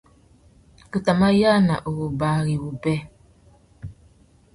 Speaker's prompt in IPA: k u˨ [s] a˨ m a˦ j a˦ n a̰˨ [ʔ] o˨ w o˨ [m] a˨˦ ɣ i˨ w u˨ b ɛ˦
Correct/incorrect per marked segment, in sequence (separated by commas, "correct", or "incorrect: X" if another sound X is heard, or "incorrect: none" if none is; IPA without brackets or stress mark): incorrect: t, correct, incorrect: b